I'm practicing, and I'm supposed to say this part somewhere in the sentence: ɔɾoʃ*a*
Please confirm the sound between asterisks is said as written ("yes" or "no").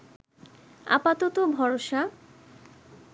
yes